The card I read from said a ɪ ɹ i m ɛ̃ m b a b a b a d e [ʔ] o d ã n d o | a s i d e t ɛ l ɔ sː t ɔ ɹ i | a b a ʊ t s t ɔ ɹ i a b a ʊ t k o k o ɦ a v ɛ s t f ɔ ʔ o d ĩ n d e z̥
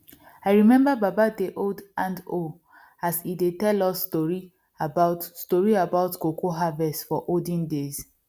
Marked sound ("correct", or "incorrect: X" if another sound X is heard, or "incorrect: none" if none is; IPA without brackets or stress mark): correct